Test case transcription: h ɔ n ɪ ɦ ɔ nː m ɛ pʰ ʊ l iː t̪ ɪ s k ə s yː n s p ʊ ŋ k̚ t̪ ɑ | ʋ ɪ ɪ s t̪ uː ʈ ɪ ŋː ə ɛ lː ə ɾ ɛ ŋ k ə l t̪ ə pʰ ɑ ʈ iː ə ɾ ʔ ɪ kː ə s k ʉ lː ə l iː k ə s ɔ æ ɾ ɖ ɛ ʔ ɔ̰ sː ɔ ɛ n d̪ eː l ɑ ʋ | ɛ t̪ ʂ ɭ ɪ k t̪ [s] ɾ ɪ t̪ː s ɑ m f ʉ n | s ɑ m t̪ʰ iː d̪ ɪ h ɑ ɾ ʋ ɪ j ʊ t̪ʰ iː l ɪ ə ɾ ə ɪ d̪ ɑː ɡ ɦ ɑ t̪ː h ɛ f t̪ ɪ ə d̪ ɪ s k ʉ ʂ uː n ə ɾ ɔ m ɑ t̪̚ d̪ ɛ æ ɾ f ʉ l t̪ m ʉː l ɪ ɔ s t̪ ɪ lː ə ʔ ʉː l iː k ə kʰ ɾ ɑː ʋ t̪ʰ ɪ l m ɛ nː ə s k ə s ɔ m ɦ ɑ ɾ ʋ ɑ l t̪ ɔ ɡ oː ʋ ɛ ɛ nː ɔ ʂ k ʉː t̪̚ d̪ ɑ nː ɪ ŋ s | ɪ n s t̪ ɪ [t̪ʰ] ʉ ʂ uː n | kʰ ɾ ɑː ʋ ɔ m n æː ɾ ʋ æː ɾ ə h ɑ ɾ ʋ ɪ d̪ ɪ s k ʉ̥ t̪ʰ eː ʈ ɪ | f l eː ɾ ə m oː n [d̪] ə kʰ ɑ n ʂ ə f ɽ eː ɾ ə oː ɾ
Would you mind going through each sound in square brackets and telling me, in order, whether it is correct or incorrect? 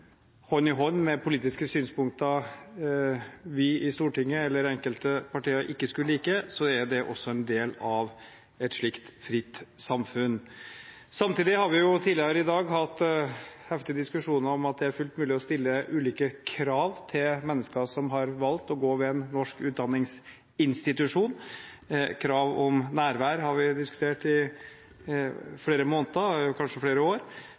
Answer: incorrect: f, incorrect: t̪, incorrect: t̪

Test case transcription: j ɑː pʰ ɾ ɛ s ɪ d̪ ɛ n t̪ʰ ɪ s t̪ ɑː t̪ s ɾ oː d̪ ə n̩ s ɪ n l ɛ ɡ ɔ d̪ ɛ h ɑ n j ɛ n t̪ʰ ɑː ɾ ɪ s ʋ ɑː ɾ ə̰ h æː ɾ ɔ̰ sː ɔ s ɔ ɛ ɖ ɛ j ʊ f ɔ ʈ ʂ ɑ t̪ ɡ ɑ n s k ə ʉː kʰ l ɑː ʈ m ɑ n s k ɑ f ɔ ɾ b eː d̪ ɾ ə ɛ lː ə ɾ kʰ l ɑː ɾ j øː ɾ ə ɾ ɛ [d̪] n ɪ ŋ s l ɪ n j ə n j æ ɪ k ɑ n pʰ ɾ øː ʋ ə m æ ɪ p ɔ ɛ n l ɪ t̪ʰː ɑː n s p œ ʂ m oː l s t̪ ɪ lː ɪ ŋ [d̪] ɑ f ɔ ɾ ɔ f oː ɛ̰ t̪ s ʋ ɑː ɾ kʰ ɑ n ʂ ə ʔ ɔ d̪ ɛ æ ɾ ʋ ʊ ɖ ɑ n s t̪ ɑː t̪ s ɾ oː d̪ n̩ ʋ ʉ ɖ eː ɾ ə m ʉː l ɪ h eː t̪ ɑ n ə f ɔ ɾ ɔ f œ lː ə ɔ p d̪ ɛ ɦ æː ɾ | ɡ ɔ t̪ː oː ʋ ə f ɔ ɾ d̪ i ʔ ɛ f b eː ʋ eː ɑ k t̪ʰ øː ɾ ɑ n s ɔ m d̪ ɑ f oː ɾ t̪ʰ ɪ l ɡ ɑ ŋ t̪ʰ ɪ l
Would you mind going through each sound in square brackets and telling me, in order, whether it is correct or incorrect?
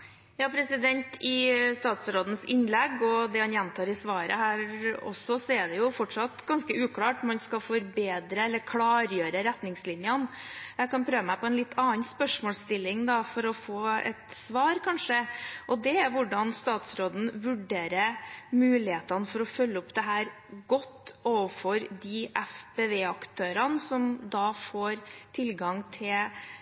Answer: incorrect: t̪, correct

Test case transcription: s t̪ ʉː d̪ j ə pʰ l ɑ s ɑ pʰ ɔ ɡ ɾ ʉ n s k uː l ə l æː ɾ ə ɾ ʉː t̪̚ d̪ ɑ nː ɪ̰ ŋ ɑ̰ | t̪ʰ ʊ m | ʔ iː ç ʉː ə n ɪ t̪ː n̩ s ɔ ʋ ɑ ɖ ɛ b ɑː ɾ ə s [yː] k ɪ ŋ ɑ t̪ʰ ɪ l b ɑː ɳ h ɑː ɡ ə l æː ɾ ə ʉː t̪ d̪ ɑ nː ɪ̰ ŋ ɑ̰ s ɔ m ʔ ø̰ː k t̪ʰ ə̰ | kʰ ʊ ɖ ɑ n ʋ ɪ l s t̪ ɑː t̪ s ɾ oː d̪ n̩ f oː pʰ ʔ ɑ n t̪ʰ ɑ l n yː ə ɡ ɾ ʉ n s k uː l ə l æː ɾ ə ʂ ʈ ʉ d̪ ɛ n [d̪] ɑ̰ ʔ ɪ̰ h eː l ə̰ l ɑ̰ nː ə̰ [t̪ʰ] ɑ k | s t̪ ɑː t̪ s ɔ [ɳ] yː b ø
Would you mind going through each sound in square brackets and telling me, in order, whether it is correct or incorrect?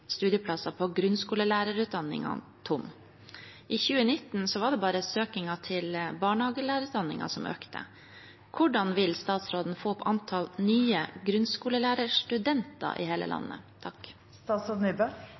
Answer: incorrect: øː, incorrect: t̪, correct, incorrect: n

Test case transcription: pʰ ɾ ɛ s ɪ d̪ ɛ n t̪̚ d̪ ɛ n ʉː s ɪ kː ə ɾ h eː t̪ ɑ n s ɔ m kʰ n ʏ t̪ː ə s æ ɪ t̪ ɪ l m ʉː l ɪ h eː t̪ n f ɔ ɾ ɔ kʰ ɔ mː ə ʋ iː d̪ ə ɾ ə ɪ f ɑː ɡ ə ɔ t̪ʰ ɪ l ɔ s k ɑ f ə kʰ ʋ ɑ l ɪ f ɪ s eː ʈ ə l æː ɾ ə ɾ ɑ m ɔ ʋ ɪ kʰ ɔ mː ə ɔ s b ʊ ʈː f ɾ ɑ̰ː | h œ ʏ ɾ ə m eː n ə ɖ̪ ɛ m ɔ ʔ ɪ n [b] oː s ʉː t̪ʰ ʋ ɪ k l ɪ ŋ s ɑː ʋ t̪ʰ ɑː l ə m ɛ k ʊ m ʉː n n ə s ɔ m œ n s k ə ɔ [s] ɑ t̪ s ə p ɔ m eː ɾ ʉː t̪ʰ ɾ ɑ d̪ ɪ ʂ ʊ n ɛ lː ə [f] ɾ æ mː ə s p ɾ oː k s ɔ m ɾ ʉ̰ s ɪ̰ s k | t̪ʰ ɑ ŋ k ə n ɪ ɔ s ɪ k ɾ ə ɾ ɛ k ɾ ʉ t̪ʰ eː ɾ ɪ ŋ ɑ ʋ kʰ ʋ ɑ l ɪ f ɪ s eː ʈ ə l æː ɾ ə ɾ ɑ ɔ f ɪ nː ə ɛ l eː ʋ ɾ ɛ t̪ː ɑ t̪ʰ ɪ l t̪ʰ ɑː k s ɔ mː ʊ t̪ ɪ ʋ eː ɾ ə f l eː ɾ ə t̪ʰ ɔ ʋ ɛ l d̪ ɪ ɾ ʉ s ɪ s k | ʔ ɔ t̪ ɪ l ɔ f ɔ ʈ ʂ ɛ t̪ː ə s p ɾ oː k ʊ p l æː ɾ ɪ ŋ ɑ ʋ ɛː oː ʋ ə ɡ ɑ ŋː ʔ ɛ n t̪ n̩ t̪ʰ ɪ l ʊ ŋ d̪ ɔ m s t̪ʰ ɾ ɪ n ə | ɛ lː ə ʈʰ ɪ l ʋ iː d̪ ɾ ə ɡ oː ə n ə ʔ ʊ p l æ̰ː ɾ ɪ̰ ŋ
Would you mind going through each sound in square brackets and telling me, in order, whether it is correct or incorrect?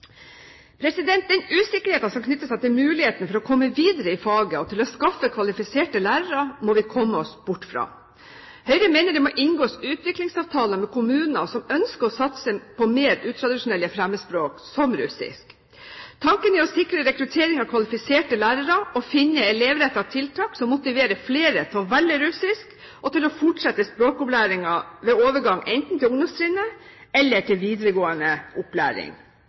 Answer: incorrect: ɡ, correct, correct

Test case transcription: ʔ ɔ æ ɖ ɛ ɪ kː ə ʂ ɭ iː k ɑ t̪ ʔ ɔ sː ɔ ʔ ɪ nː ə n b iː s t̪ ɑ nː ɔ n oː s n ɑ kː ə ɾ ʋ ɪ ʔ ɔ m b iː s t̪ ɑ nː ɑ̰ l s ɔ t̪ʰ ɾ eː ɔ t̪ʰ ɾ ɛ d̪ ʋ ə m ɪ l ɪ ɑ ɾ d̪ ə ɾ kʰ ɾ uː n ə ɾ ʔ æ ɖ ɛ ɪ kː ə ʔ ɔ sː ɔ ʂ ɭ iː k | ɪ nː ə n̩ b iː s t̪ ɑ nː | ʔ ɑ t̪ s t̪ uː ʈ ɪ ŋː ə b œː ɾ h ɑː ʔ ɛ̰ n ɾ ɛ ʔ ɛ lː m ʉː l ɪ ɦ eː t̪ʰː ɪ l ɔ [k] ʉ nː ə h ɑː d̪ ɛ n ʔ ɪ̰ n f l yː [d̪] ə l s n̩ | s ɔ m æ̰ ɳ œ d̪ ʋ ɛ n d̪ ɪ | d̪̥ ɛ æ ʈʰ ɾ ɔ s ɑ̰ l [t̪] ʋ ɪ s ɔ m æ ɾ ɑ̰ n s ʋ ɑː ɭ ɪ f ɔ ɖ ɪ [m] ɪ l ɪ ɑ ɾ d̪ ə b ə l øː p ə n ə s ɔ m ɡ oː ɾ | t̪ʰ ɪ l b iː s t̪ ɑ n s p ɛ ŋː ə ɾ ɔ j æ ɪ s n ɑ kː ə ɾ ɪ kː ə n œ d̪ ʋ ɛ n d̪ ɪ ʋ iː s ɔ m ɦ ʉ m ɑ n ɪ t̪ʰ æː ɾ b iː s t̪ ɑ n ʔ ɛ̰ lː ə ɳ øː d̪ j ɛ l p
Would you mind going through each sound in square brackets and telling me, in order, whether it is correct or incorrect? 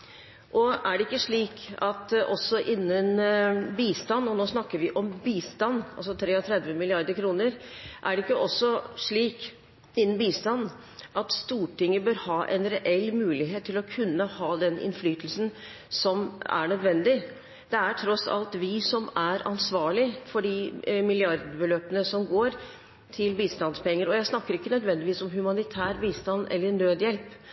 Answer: incorrect: kʰ, incorrect: t̪, correct, correct

